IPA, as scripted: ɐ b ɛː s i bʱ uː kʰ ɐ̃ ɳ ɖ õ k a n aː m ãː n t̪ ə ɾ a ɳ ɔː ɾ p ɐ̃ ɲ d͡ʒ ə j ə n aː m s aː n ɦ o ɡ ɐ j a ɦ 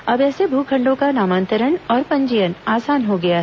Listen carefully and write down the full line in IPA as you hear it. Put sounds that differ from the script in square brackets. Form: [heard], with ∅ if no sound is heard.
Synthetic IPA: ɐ b ɛː s [e] bʱ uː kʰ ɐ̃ ɳ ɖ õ k a n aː m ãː n t̪ ə ɾ [ə] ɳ ɔː ɾ p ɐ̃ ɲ d͡ʒ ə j ə n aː [∅] s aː n ɦ o ɡ ɐ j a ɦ